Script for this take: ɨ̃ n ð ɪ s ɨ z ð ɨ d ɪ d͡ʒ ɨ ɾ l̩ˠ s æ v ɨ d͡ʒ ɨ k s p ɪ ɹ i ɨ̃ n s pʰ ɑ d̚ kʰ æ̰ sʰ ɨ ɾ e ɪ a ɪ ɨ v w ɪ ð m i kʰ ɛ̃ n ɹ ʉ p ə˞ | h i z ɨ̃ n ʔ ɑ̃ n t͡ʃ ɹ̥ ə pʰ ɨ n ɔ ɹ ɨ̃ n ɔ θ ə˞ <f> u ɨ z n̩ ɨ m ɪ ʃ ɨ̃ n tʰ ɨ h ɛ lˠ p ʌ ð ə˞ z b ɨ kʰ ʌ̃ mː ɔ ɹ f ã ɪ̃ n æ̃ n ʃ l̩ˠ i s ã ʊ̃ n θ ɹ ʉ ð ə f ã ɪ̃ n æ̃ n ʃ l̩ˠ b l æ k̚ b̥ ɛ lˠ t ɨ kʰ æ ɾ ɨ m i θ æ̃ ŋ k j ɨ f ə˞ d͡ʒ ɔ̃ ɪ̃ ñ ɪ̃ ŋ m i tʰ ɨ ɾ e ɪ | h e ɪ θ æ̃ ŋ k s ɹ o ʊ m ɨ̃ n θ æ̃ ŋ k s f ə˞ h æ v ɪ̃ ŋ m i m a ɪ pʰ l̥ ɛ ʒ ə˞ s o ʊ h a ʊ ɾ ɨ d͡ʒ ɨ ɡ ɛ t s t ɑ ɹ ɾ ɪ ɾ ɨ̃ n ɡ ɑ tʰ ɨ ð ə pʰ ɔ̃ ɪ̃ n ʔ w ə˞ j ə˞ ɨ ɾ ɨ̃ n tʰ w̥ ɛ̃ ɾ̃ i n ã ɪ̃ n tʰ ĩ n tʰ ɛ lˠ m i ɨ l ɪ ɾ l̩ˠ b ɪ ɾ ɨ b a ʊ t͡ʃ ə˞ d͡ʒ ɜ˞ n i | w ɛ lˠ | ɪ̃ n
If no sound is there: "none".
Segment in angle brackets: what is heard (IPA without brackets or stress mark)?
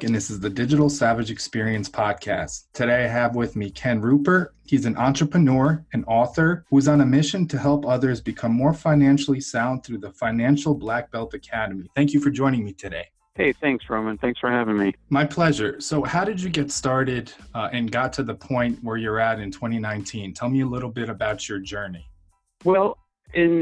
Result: h